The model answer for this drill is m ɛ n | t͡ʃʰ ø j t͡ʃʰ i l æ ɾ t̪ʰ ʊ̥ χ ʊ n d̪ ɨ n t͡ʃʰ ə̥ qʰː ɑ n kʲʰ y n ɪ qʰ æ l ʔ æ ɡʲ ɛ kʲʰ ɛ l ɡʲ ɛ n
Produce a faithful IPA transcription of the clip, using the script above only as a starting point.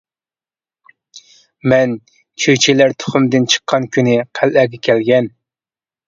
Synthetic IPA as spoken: m ɛ n | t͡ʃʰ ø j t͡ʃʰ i l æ ɾ t̪ʰ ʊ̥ χ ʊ m d̪ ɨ n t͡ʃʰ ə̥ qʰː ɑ n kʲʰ y n ɪ qʰ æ l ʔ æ ɡʲ ɛ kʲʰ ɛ l ɡʲ ɛ n